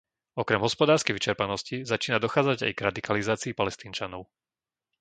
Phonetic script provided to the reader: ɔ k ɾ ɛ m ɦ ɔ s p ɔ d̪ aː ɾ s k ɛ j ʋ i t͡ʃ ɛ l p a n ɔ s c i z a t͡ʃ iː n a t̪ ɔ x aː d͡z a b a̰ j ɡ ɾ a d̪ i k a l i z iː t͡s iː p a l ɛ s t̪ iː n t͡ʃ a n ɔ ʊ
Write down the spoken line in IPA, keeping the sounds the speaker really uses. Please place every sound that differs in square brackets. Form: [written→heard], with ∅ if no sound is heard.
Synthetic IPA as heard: ɔ k ɾ ɛ m ɦ ɔ s p ɔ d̪ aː ɾ s k ɛ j ʋ i t͡ʃ ɛ [l→ɾ] p a n ɔ s c i z a t͡ʃ iː n a [t̪→d̪] ɔ x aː d͡z a [b→ɟ] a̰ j ɡ ɾ a d̪ i k a l i z [iː→aː] t͡s iː p a l ɛ s t̪ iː n t͡ʃ a n ɔ ʊ